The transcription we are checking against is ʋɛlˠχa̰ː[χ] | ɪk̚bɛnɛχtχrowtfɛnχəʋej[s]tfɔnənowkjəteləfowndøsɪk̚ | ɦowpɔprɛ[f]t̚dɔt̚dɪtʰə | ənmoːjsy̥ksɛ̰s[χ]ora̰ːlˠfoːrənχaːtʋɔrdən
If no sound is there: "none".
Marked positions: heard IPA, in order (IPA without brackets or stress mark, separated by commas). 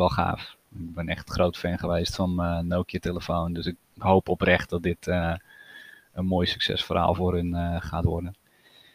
f, s, χ, f